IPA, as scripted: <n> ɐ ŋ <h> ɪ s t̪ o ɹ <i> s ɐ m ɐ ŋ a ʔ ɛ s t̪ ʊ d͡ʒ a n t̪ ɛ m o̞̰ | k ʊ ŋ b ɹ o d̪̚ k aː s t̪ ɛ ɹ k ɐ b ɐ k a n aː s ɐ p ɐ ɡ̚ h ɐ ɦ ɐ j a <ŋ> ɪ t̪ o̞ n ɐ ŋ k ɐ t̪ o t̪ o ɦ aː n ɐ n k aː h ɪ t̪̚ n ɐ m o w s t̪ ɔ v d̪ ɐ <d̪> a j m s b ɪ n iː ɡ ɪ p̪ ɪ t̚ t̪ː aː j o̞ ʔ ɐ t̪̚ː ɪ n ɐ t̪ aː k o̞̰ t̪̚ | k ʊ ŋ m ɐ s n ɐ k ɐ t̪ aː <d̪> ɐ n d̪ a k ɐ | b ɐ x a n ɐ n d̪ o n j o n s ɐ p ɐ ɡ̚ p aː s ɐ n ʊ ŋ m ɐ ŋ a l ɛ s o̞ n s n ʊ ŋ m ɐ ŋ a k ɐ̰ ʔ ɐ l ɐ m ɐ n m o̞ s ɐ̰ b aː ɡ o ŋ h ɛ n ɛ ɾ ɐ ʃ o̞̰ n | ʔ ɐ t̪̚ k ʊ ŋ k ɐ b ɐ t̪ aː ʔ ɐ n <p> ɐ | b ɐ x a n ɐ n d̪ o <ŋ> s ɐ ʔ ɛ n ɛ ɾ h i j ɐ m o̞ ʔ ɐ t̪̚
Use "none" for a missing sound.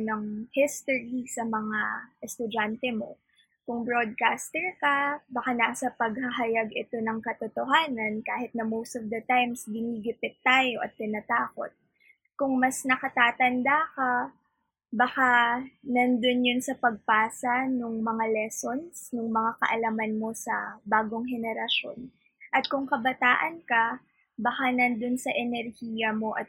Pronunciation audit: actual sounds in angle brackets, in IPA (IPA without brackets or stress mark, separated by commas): n, h, i, ɡ, t̪, t̪, k, n